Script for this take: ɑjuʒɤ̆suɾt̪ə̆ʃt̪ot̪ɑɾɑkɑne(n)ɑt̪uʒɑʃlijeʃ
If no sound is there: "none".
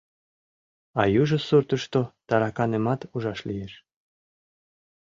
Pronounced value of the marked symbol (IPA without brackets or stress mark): m